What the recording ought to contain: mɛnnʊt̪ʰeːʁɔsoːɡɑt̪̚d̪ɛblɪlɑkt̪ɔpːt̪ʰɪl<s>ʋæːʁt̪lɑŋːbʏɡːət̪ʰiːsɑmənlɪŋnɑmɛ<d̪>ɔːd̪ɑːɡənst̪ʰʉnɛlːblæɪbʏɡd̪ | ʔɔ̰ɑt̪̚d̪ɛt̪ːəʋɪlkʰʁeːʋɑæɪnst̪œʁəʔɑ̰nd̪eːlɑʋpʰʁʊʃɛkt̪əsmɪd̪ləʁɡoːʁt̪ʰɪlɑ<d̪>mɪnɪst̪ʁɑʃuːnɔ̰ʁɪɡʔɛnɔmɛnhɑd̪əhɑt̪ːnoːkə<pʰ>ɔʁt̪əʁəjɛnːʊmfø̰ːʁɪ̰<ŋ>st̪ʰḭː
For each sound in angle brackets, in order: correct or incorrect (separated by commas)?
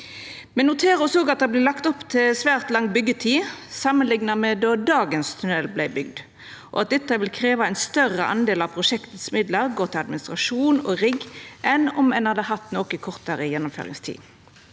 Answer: correct, correct, correct, incorrect, correct